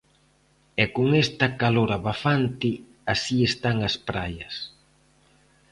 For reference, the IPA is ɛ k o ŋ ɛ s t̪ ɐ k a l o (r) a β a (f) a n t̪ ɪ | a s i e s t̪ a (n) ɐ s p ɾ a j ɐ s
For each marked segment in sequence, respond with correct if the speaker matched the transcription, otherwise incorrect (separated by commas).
incorrect, correct, incorrect